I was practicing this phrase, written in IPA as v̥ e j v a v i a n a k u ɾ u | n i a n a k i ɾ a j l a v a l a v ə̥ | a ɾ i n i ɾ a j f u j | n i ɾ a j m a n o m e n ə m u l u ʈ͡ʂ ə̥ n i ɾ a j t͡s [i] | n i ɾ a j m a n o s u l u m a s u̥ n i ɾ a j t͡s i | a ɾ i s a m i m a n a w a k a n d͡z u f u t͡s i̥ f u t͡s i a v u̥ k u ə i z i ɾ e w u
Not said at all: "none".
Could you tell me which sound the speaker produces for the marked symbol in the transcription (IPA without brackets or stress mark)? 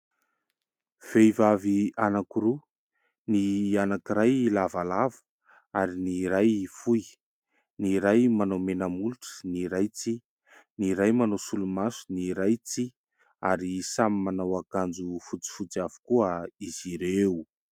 i